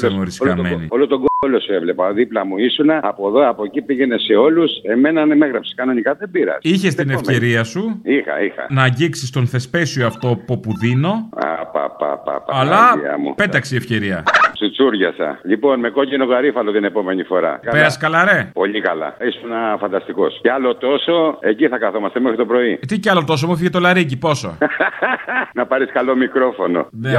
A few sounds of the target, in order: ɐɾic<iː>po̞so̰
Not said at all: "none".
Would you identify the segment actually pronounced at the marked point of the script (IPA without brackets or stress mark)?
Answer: i